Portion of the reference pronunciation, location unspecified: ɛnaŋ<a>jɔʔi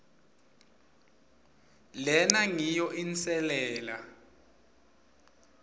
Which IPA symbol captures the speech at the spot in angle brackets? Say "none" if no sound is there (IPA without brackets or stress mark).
i